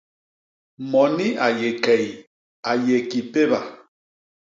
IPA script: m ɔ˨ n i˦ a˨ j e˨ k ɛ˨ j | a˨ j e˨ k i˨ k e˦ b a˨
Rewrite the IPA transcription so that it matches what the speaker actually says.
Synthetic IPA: m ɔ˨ n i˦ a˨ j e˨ k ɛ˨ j | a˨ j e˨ k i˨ p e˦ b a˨